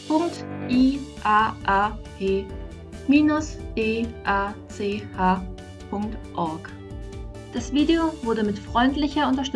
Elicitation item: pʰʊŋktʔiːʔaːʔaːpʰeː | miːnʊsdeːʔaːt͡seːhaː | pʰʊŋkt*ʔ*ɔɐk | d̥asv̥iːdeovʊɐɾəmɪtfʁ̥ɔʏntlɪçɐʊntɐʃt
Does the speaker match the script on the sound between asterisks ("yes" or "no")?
yes